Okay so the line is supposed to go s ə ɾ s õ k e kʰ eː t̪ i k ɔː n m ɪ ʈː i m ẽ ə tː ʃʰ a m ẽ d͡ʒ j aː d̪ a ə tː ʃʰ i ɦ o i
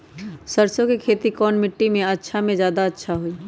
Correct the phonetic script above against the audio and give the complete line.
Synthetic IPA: s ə ɾ s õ k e kʰ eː t̪ i k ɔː n m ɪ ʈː i m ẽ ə tː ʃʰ a m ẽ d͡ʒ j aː d̪ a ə tː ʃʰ a ɦ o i

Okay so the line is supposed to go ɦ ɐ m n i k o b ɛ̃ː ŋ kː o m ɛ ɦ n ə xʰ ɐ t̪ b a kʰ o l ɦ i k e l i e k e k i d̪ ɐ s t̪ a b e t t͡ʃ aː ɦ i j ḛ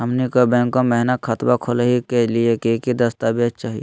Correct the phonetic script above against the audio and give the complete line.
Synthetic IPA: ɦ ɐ m n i k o b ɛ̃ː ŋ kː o m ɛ ɦ n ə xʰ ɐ t̪ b a kʰ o l ɦ i k e l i e k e k i d̪ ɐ s t̪ a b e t t͡ʃ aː ɦ i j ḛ

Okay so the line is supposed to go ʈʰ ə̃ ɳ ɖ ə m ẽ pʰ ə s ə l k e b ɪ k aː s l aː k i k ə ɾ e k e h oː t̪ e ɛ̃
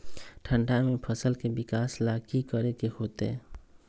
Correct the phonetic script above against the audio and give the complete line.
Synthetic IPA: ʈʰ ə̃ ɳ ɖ a m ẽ pʰ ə s ə l k e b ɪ k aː s l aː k i k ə ɾ e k e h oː t̪ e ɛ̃

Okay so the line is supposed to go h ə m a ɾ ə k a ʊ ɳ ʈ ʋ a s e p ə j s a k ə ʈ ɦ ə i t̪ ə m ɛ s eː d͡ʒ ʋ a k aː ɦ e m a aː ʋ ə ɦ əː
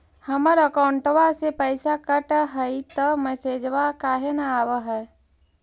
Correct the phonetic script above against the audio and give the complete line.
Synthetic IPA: h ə m ə ɾ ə k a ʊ ɳ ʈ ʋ a s e p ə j s a k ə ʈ ɦ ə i t̪ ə m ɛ s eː d͡ʒ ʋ a k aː ɦ e n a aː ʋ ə ɦ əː

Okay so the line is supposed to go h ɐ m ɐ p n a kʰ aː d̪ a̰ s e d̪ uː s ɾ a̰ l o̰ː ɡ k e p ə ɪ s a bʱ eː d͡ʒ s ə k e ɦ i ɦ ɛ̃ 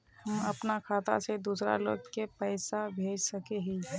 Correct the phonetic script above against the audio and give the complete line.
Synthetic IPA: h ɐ m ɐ p n a kʰ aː t̪ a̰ s e d̪ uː s ɾ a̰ l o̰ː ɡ k e p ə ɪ s a bʱ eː d͡ʒ s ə k e ɦ i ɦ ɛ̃

